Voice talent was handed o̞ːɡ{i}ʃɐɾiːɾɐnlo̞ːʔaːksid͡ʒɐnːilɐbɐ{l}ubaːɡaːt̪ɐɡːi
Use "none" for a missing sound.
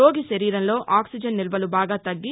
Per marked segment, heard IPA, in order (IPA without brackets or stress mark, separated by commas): i, l